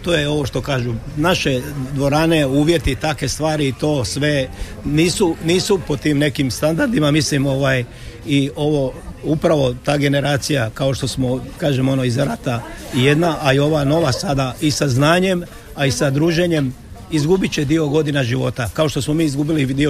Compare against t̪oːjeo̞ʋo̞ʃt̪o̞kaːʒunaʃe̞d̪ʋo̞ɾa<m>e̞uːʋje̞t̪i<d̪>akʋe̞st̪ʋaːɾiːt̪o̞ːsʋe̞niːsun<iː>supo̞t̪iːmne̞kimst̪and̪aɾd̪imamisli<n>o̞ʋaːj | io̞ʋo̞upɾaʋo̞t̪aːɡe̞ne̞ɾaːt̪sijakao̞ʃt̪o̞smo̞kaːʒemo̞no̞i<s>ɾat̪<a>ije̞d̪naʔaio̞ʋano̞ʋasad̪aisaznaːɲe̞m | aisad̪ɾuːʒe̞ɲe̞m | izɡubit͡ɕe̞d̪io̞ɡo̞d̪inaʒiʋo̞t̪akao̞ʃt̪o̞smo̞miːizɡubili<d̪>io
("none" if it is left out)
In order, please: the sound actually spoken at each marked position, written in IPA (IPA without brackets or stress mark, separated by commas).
n, t̪, iː, m, z, a, d̪